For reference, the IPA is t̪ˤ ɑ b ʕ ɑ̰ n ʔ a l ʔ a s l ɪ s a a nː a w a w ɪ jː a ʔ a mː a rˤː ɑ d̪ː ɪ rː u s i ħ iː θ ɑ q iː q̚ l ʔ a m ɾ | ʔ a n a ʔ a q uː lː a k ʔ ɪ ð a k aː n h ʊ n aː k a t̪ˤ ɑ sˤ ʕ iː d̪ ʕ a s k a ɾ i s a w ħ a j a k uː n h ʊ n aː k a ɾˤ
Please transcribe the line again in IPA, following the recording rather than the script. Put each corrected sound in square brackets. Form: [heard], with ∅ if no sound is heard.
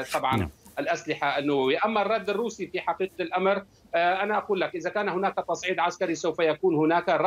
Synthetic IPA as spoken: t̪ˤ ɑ b ʕ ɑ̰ n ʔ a l ʔ a s l ɪ [ħ] a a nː a w a w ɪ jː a ʔ a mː a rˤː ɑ d̪ː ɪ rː [uː] s i [f] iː [ħ] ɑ q iː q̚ l ʔ a m ɾ | ʔ a n a ʔ a q uː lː a k ʔ ɪ ð a k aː n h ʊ n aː k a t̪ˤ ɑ sˤ ʕ iː d̪ ʕ a s k a ɾ i s a w [f] a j a k uː n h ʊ n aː k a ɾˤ